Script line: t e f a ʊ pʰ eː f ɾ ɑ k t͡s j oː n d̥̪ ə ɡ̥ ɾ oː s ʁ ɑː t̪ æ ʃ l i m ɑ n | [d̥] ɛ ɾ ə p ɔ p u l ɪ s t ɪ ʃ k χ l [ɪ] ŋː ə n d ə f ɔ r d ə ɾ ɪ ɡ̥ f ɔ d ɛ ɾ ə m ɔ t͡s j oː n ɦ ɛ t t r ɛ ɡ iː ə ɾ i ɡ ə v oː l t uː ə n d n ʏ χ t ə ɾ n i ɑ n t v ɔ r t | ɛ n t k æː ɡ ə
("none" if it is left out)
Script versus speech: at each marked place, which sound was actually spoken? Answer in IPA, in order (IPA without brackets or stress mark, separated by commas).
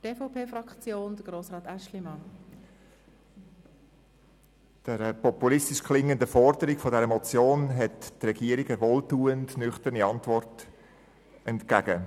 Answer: d̥, ɪ